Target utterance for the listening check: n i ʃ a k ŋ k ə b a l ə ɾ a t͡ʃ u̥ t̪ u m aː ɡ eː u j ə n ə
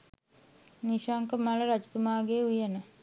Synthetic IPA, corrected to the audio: n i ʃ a ŋ k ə m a l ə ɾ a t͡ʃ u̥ t̪ u m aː ɡ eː u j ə n ə